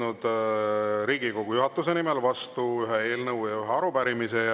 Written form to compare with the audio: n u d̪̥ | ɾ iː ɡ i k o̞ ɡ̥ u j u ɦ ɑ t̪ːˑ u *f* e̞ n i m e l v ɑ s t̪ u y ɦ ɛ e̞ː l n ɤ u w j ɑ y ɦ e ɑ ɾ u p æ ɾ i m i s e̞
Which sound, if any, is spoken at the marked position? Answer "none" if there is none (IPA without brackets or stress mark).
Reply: s